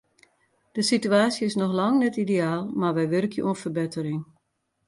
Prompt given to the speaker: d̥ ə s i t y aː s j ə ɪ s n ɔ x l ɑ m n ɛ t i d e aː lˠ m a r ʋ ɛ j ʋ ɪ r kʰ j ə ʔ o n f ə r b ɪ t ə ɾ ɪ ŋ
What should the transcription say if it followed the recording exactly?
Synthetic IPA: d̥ ə s i t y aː s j ə ɪ s n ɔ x l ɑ ŋ n ɛ t i d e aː lˠ m a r ʋ ɛ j ʋ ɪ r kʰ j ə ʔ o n f ə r b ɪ t ə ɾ ɪ ŋ